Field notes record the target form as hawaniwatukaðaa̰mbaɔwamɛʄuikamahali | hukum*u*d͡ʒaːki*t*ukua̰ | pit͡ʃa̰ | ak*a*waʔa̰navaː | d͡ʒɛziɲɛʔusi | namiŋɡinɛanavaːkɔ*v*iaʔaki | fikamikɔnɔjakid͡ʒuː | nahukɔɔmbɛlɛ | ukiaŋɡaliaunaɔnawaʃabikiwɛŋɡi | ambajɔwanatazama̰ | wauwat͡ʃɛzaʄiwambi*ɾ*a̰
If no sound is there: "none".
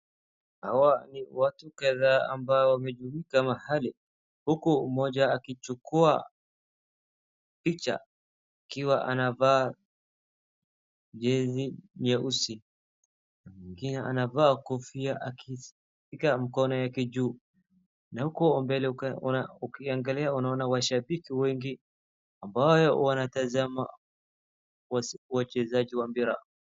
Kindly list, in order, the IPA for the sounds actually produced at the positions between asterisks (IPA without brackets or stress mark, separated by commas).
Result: ɔ, t͡ʃ, i, f, ɾ